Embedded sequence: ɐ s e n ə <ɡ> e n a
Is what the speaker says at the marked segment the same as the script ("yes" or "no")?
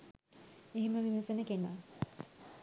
no